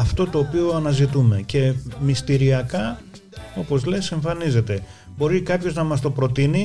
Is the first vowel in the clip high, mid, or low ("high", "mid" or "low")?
low